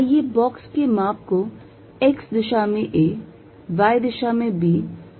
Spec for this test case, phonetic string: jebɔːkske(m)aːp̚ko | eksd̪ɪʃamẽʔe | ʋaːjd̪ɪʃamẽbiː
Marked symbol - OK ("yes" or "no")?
yes